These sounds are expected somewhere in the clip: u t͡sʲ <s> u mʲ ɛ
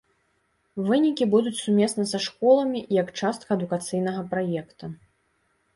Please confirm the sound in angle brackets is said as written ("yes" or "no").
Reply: yes